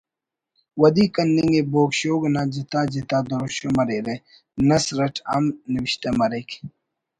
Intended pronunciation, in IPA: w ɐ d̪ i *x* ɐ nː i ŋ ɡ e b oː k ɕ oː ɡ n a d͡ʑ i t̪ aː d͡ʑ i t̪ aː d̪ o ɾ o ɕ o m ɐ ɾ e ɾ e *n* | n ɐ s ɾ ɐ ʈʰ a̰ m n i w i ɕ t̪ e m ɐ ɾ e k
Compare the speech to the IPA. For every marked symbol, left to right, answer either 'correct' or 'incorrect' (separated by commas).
incorrect, incorrect